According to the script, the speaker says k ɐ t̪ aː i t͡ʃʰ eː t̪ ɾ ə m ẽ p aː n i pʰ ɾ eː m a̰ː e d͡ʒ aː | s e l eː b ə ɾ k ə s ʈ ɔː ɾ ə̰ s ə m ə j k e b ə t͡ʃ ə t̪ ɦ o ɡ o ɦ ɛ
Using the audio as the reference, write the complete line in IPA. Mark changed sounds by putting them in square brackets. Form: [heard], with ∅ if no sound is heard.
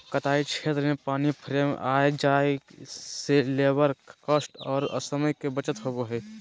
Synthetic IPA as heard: k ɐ t̪ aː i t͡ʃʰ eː t̪ ɾ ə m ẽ p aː n i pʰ ɾ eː m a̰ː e d͡ʒ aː | s e l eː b ə ɾ k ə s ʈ ɔː ɾ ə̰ s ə m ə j k e b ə t͡ʃ ə t̪ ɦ o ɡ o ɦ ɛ